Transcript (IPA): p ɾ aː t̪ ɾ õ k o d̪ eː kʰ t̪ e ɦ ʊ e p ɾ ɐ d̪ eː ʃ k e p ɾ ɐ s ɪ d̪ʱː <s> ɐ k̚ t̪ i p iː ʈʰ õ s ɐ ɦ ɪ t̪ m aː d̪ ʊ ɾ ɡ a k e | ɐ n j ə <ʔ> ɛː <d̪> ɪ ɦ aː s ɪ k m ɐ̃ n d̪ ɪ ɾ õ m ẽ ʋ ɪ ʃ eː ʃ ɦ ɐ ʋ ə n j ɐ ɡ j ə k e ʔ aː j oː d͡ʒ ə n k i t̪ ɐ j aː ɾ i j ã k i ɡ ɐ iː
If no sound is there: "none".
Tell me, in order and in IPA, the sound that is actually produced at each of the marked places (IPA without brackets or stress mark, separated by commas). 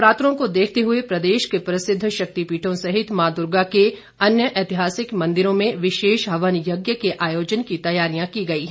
ʃ, ʔ, t̪